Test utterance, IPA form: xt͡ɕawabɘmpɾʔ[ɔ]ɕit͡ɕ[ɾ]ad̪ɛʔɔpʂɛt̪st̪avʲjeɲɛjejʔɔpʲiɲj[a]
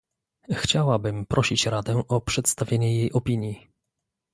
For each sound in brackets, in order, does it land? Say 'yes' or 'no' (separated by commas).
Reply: yes, yes, no